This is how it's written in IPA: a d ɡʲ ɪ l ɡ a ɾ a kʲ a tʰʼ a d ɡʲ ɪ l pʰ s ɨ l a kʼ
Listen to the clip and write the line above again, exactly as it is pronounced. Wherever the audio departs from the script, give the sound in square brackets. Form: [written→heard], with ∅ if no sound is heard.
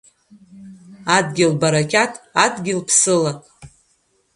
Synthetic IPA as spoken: a d ɡʲ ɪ l [ɡ→b] a ɾ a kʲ a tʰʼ a d ɡʲ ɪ l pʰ s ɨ l a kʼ